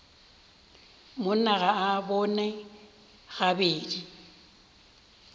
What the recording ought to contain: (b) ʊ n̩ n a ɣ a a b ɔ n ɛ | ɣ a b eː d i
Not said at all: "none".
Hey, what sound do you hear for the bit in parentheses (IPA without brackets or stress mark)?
m